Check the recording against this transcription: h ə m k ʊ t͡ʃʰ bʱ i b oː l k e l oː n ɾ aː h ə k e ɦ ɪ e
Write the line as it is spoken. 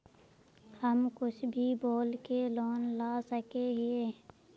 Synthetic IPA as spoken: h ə m k ʊ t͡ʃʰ bʱ i b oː l k e l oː n l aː s ə k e ɦ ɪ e